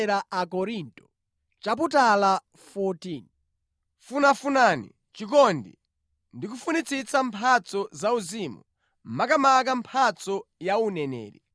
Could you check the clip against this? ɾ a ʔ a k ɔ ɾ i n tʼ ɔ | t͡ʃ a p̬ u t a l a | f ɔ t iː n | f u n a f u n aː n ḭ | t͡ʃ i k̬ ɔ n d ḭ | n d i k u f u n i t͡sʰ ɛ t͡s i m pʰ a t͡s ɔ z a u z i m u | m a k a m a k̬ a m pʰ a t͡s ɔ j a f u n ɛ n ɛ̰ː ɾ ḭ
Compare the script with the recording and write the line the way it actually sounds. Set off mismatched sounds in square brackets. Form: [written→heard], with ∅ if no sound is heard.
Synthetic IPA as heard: ɾ a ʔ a k ɔ ɾ i n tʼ ɔ | t͡ʃ a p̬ u t a l a | f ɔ t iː n | f u n a f u n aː n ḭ | t͡ʃ i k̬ ɔ n d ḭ | n d i k u f u n i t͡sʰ [ɛ→i] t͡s [i→a] m pʰ a t͡s ɔ z a u z i m u | m a k a m a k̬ a m pʰ a t͡s ɔ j a [f→∅] u n ɛ n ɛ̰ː ɾ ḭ